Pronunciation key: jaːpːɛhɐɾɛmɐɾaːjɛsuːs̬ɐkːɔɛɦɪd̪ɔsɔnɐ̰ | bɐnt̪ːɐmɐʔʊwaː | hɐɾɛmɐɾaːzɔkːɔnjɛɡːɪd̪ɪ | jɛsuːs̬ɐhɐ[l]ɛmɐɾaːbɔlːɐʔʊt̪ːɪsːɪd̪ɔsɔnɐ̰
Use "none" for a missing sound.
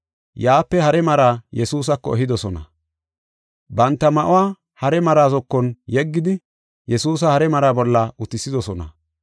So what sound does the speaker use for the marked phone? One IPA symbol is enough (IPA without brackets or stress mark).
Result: ɾ